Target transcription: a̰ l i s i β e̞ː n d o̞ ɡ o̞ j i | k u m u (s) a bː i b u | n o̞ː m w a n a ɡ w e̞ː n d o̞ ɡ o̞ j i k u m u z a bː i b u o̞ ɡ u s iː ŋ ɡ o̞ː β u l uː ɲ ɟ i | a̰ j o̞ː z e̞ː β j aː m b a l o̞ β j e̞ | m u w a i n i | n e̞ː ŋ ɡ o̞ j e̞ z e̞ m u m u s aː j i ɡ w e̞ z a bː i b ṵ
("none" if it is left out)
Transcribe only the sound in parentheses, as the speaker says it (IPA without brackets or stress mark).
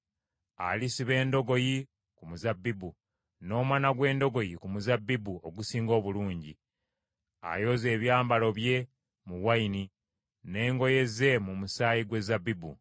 z